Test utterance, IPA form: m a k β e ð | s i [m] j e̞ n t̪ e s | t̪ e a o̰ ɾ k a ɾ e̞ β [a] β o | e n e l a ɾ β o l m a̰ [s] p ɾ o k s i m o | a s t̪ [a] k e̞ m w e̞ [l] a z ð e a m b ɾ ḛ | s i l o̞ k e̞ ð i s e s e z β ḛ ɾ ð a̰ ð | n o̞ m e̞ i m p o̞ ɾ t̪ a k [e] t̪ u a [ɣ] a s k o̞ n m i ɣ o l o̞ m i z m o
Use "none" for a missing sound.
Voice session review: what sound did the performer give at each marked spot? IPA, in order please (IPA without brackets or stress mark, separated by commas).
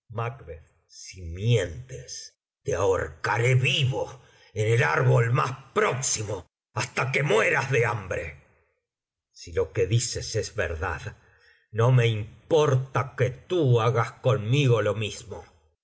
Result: m, i, s, a, ɾ, e, ɣ